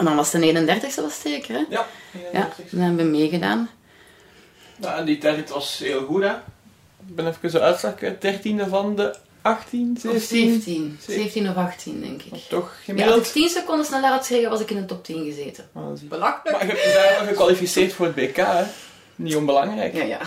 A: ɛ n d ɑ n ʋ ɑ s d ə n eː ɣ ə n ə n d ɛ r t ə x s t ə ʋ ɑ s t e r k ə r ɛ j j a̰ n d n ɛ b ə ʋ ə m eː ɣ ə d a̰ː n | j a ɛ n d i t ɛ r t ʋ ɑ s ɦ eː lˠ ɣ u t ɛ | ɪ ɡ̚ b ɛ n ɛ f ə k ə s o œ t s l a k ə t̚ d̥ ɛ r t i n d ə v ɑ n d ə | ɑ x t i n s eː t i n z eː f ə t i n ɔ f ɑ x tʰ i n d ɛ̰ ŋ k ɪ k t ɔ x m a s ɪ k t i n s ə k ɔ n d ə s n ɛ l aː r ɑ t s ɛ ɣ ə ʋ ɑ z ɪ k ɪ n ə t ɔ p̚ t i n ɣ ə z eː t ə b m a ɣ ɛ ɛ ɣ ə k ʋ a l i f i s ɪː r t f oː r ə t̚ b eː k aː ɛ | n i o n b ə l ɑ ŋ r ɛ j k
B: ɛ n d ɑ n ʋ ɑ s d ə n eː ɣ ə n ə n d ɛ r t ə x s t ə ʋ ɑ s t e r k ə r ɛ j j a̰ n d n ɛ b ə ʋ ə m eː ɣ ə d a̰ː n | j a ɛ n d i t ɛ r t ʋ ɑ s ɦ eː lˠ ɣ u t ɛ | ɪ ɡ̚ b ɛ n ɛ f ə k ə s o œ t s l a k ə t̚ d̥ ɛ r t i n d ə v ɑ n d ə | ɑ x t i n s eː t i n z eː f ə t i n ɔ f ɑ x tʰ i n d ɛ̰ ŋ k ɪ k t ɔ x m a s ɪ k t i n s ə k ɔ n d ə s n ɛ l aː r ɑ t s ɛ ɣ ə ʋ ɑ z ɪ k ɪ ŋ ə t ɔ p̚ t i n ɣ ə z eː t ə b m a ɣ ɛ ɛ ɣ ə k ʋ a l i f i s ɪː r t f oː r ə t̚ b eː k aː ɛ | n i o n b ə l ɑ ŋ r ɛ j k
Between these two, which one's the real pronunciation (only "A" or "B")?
A